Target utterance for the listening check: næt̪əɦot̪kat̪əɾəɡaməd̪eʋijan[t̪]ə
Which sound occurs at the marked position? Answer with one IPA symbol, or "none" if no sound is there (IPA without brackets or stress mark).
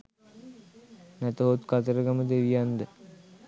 d̪